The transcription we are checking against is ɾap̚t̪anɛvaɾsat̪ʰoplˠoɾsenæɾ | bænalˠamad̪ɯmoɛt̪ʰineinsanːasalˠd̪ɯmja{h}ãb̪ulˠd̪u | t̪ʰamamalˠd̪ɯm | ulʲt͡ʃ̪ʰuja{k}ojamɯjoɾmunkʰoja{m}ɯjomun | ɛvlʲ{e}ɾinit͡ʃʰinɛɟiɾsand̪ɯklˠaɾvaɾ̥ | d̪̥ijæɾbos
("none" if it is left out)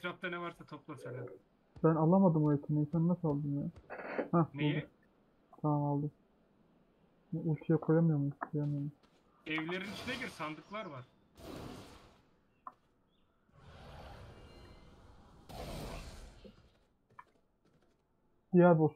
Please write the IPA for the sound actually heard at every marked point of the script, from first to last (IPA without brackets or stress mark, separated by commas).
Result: h, kʰ, m, e